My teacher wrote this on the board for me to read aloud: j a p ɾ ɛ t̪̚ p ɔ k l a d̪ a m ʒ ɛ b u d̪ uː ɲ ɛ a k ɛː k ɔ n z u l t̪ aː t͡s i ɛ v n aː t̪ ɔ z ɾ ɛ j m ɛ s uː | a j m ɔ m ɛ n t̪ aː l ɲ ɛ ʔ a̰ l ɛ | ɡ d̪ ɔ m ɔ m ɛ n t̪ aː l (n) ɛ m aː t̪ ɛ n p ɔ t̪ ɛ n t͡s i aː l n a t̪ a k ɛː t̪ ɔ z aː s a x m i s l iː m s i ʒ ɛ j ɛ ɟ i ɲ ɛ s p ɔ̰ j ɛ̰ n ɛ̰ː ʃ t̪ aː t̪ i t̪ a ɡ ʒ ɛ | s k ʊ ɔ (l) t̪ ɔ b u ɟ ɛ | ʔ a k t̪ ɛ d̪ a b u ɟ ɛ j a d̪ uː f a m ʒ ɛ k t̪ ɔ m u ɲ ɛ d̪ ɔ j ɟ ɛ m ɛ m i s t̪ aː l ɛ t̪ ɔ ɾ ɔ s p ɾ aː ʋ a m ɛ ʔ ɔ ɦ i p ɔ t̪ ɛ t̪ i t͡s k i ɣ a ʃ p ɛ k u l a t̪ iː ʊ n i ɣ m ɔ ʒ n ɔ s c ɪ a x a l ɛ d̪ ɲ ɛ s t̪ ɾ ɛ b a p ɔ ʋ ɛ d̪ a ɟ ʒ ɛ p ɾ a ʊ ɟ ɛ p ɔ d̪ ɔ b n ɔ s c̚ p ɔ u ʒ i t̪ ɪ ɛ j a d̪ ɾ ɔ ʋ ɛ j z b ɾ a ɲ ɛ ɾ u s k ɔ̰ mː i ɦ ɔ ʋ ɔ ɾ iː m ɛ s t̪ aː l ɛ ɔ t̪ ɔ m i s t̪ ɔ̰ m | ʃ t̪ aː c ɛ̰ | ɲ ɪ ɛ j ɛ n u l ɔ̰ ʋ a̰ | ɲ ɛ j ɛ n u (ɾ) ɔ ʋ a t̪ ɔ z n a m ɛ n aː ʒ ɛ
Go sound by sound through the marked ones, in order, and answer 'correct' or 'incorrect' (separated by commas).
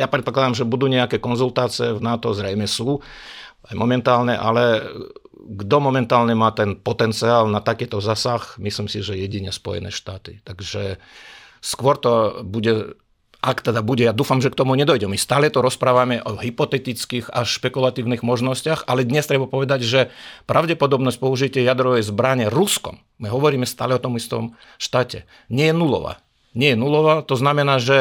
incorrect, incorrect, incorrect